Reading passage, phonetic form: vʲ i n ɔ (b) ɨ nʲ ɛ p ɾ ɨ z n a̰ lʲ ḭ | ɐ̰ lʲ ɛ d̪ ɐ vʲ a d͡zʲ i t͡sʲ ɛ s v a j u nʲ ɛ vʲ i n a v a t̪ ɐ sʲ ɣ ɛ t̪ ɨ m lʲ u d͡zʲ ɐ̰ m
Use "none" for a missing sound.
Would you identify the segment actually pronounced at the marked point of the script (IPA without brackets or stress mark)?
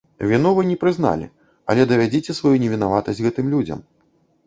v